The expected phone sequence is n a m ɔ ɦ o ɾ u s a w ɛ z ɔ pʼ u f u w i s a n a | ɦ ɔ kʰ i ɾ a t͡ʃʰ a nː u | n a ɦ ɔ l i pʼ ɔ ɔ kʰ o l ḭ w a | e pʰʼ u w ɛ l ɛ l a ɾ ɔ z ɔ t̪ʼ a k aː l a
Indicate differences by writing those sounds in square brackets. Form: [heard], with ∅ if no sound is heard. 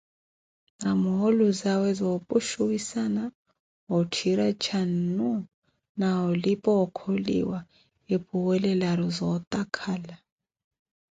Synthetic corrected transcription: n a m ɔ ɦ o [l] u [z] a w ɛ z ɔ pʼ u [ʃ] u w i s a n a | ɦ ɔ [tʰ] i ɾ a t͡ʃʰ a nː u | n a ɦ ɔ l i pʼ ɔ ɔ kʰ o l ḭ w a | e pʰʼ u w ɛ l ɛ l a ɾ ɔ z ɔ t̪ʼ a [kʰ] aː l a